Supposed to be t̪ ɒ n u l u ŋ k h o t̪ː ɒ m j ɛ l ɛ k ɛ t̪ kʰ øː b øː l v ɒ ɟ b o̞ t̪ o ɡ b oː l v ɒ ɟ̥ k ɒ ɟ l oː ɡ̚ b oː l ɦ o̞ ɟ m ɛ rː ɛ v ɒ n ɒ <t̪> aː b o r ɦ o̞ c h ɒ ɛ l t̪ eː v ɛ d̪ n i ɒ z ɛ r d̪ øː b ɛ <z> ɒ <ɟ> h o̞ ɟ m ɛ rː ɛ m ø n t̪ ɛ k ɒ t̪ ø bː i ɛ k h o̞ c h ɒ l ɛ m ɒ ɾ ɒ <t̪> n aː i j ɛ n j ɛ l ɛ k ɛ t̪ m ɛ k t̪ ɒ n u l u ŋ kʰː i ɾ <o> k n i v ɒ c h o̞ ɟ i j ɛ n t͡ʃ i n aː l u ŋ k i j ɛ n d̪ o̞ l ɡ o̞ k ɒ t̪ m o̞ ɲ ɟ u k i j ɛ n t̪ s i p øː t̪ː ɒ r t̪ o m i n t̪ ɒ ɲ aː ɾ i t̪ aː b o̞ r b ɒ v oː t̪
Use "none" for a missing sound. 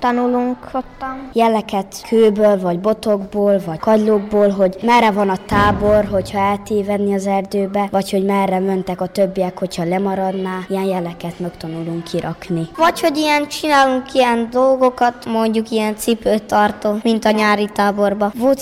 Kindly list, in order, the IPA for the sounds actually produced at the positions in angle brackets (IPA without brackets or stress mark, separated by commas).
t̪, v, c, d̪, ɒ